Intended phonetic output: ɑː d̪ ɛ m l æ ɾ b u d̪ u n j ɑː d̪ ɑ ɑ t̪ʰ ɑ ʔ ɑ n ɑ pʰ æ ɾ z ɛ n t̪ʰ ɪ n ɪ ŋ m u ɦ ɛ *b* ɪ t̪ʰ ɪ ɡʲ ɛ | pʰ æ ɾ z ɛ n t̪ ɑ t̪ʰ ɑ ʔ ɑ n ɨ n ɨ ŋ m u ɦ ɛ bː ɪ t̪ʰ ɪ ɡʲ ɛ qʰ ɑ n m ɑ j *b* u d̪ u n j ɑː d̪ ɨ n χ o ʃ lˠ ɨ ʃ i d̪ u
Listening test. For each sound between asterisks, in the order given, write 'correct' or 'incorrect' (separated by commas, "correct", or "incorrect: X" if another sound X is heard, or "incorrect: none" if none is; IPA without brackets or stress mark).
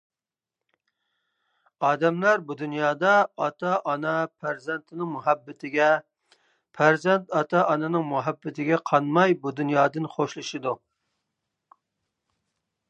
incorrect: bː, correct